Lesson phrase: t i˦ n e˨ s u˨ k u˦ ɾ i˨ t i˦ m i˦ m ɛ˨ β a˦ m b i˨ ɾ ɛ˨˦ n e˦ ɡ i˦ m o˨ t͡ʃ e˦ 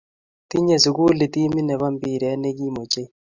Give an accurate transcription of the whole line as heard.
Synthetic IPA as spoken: t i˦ ɲ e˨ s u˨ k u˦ l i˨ t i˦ m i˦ n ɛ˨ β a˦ m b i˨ ɾ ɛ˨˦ n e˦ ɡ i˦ m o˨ t͡ʃ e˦